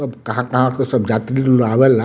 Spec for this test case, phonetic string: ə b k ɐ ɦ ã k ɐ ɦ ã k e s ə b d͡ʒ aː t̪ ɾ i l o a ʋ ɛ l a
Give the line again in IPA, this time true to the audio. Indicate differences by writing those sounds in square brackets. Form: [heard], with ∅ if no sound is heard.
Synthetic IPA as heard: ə b k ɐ ɦ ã k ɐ ɦ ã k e s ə b d͡ʒ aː t̪ ɾ i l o a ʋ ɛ l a